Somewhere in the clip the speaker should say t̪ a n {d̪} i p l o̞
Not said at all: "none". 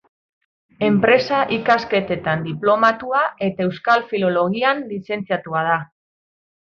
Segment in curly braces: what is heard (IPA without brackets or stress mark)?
d̪